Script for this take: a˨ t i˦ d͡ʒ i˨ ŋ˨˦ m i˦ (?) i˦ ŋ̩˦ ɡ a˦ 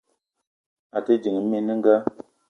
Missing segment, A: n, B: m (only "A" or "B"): A